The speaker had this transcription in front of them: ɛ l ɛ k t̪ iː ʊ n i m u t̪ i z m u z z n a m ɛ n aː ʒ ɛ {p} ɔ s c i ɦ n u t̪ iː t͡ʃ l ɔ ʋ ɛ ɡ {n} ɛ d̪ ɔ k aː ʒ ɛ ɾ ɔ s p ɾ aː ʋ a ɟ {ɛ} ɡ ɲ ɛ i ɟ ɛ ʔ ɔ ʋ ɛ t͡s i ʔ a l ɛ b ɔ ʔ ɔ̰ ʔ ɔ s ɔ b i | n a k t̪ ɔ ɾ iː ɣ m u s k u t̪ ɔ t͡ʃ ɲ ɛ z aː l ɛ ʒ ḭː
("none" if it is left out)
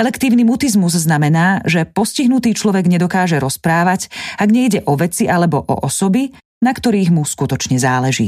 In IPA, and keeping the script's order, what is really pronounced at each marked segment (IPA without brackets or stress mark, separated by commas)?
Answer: p, ɲ, a